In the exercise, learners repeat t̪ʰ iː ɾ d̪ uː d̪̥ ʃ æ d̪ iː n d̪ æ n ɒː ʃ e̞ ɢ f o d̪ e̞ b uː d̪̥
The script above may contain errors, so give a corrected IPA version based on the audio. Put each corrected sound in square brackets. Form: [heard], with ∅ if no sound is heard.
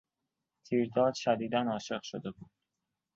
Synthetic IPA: t̪ʰ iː ɾ d̪ [ɒː] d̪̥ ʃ æ d̪ iː [∅] d̪ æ n ɒː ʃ e̞ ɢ [ʃ] o d̪ e̞ b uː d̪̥